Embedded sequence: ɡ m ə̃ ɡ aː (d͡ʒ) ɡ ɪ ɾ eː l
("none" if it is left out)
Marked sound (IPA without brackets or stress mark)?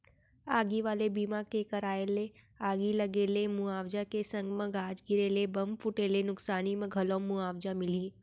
d͡ʒ